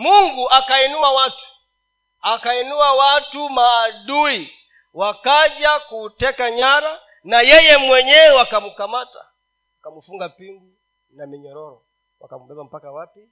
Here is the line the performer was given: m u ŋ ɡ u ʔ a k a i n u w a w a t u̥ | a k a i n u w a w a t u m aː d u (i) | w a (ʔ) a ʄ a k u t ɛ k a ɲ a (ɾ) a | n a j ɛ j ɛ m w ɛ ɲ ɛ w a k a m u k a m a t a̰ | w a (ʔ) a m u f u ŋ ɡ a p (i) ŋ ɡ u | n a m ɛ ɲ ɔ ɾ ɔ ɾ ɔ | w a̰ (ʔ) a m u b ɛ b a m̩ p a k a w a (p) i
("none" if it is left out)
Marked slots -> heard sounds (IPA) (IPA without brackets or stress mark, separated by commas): i, k, ɾ, k, i, k, p